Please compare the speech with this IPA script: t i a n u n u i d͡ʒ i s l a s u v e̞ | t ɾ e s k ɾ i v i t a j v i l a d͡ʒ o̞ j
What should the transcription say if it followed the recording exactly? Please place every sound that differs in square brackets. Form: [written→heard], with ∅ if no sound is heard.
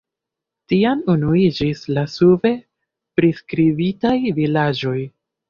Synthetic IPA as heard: t i a n u n u i d͡ʒ i s l a s u v e̞ | [t→p] ɾ [e→i] s k ɾ i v i t a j v i l a d͡ʒ o̞ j